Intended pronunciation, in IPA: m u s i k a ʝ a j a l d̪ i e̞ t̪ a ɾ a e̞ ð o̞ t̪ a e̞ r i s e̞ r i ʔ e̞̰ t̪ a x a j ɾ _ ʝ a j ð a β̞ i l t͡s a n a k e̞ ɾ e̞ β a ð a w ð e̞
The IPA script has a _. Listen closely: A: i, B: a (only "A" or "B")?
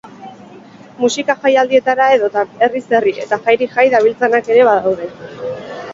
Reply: A